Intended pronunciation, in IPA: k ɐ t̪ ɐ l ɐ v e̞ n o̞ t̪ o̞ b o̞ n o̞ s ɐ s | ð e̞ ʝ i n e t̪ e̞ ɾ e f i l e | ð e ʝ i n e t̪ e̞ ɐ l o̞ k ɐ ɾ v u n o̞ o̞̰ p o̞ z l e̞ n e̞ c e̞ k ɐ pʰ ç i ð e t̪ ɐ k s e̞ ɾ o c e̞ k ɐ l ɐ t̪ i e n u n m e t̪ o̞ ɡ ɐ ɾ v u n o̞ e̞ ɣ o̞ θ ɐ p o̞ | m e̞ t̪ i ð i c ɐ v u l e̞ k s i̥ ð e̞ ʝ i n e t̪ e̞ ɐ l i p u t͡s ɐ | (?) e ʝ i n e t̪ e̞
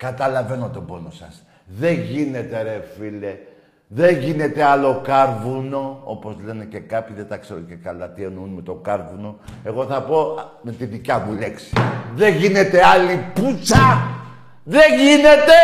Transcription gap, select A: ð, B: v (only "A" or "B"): A